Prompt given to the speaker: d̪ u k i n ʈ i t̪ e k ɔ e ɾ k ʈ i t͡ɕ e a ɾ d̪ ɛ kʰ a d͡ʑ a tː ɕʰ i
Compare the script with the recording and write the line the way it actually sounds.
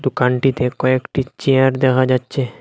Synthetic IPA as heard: d̪ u k a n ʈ i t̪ e k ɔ e k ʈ i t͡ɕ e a ɾ d̪ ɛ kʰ a d͡ʑ a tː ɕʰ e